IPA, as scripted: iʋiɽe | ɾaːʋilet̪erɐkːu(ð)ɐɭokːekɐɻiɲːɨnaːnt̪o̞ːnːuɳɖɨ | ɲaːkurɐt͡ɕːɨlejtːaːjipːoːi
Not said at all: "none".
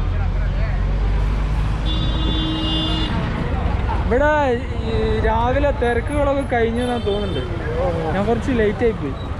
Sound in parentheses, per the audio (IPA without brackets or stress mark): ɣ